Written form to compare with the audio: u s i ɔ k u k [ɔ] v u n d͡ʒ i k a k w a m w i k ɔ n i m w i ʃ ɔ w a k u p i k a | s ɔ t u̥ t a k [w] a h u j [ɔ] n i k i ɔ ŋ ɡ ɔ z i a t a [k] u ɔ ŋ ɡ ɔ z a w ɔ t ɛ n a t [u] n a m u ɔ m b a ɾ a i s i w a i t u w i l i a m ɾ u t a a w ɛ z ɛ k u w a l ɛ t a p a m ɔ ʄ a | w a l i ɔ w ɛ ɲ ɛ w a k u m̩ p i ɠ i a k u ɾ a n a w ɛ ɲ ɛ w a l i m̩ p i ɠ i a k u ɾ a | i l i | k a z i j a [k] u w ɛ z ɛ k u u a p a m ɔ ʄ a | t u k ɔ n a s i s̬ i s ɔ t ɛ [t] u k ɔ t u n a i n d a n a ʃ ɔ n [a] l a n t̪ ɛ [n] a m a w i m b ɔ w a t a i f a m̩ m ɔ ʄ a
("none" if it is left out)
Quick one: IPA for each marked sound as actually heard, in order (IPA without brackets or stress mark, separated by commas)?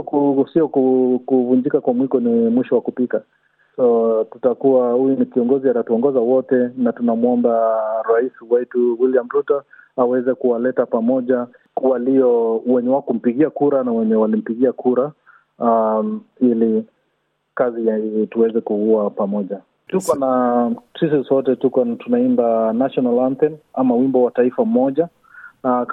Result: u, u, u, t, u, t, t, a, n